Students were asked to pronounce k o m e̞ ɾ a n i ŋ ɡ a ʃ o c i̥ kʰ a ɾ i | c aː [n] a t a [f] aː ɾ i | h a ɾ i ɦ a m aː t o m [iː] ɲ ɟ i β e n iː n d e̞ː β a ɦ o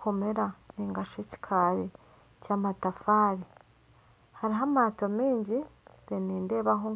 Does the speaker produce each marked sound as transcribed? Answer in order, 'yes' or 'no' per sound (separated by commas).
no, yes, yes